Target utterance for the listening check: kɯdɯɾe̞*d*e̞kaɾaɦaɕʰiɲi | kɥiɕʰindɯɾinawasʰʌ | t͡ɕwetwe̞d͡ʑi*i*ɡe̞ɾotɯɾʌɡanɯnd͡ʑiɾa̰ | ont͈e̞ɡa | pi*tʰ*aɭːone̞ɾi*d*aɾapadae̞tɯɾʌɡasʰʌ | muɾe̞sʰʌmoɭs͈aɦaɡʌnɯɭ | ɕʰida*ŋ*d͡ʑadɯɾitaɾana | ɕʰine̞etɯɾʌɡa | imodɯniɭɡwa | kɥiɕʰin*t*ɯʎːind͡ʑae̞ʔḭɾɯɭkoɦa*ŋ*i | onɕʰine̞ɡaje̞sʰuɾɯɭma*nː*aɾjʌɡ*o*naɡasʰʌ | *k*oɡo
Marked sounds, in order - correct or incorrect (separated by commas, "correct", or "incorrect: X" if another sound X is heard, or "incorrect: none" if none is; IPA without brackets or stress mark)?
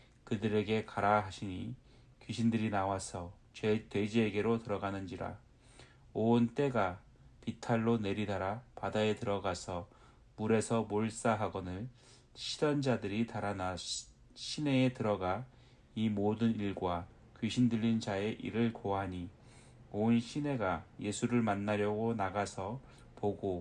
incorrect: ɡ, incorrect: e, correct, correct, incorrect: n, incorrect: d, incorrect: ɲ, correct, correct, incorrect: p